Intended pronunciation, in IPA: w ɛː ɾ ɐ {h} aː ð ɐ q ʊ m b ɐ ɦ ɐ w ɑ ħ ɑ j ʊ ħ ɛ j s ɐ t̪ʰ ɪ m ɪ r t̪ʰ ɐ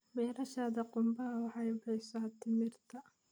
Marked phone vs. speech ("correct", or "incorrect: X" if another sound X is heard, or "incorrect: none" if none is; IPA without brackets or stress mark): incorrect: ʃ